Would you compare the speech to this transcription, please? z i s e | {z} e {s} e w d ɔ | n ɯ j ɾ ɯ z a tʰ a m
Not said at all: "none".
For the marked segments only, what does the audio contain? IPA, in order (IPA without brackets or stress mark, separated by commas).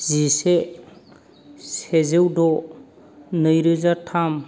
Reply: s, z